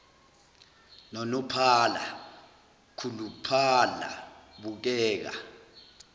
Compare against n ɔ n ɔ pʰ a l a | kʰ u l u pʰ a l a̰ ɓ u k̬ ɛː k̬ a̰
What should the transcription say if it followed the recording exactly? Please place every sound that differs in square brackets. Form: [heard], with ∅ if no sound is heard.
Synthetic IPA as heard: n ɔ n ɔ pʰ a l a | kʰ u l u pʰ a l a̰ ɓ u k̬ ɛː k̬ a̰